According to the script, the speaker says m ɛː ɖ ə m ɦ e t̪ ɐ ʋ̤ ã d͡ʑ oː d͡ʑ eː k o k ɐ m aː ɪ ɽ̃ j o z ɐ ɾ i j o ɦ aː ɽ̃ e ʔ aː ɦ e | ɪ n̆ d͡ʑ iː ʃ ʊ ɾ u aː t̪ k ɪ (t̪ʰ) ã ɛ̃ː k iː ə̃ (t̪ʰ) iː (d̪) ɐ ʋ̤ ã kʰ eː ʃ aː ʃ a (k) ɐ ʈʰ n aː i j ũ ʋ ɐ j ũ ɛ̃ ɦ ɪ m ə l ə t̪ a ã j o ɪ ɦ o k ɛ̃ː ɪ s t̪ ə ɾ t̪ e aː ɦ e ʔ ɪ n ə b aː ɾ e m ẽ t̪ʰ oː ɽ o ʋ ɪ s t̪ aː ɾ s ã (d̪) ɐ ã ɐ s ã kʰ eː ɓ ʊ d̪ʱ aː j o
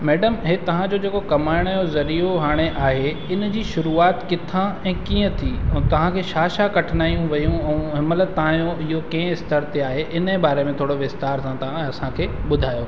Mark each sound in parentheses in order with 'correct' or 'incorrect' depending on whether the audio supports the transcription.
correct, correct, incorrect: t̪, correct, incorrect: t̪

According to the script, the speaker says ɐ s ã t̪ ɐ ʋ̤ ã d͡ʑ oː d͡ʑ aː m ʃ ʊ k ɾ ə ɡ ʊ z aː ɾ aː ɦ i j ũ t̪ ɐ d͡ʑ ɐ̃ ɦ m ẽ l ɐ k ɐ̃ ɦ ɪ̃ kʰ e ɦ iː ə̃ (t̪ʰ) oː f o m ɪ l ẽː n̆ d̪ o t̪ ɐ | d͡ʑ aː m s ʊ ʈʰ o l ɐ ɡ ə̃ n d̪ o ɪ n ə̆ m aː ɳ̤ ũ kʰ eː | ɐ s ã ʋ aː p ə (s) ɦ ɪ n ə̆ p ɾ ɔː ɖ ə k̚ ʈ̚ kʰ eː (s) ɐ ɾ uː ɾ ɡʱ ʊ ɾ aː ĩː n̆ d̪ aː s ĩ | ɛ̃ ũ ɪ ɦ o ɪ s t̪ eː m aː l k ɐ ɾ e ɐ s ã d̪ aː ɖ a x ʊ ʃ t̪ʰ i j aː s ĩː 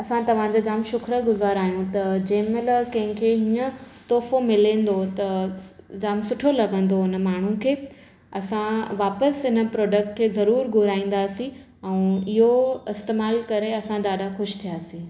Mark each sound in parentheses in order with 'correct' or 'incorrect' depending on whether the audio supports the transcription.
incorrect: t̪, correct, incorrect: z

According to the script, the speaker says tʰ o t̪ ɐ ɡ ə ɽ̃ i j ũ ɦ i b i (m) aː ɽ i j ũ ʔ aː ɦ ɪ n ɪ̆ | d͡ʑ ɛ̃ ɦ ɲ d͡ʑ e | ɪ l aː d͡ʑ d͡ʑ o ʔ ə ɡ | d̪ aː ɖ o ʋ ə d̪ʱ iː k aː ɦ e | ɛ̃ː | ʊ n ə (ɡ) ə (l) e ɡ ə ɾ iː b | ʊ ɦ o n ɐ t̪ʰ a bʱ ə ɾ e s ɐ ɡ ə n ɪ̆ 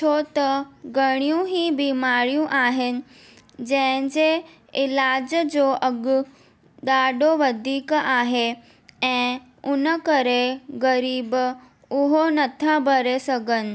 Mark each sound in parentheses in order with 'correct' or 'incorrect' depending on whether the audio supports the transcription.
correct, incorrect: k, incorrect: ɾ

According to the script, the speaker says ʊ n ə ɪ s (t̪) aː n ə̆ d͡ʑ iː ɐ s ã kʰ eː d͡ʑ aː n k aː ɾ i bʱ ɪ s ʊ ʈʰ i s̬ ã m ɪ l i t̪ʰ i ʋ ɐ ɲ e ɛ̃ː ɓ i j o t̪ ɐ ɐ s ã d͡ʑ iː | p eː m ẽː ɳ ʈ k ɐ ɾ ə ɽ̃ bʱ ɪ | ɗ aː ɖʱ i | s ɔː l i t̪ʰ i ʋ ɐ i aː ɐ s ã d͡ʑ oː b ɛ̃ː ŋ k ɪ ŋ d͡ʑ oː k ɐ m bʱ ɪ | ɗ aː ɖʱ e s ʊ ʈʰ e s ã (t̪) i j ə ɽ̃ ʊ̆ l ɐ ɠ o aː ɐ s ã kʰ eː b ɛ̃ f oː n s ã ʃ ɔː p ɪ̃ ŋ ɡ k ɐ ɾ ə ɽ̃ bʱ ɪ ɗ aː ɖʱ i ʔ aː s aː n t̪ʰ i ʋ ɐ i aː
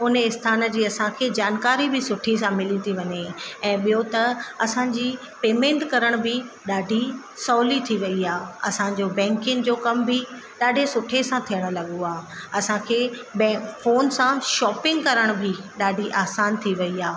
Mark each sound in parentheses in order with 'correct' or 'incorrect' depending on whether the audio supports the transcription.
incorrect: t̪ʰ, incorrect: t̪ʰ

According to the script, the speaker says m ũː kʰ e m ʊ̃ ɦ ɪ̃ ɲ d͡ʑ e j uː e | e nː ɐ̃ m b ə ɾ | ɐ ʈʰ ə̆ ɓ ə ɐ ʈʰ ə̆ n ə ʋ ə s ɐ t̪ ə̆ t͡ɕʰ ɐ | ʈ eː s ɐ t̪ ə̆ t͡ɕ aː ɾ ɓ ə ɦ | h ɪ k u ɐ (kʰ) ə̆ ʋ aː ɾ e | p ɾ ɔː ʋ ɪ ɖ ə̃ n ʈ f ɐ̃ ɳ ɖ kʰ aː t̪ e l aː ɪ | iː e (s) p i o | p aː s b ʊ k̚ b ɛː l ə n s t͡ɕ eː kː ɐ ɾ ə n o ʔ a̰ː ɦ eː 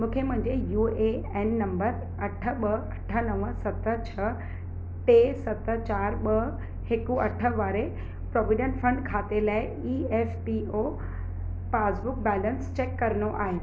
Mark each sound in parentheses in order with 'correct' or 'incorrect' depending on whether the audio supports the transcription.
incorrect: ʈʰ, incorrect: f

